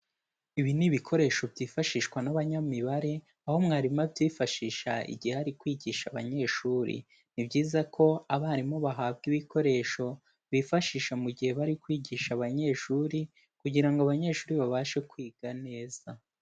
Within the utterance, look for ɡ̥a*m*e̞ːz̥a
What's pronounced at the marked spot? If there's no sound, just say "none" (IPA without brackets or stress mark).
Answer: n